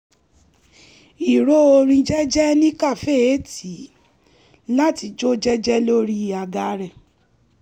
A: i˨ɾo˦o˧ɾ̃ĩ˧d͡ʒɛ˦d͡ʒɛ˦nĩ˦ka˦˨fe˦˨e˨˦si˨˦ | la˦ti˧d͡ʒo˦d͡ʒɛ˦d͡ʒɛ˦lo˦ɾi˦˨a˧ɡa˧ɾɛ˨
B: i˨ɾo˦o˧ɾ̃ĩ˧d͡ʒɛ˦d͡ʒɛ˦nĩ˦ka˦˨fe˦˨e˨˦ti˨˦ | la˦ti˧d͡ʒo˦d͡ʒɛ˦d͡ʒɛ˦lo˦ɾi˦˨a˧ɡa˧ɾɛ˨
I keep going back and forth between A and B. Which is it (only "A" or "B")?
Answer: B